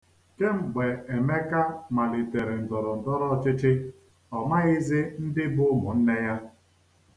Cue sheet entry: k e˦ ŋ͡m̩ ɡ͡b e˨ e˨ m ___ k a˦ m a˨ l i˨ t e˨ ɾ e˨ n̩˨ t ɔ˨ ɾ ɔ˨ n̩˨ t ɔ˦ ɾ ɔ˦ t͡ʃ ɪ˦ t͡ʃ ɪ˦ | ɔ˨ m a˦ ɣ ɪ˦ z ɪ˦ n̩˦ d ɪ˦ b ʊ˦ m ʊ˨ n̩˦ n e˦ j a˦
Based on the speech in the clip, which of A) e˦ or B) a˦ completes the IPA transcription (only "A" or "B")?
A